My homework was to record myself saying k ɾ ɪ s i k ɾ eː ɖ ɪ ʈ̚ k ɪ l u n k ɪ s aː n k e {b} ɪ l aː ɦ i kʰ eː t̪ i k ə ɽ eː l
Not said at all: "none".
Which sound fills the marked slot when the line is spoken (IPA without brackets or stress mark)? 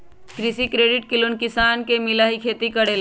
m